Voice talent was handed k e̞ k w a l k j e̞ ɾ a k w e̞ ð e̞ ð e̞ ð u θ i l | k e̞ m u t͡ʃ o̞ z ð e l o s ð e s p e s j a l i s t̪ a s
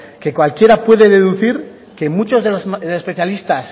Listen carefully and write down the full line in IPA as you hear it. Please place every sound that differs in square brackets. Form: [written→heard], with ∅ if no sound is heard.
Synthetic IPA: k e̞ k w a l k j e̞ ɾ a [k→p] w e̞ ð e̞ ð e̞ ð u θ i [l→ɾ] | k e̞ m u t͡ʃ o̞ z ð e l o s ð e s p e [s→θ] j a l i s t̪ a s